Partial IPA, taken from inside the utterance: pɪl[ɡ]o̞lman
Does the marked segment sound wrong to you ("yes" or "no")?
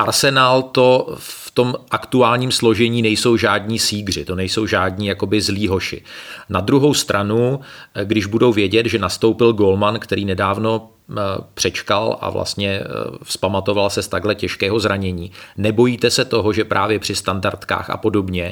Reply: no